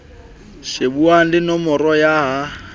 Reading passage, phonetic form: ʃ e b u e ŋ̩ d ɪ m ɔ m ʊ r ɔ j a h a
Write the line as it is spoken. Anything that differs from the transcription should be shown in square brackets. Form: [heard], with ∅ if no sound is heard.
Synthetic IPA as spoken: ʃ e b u [a] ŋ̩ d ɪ [n] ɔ m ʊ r ɔ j a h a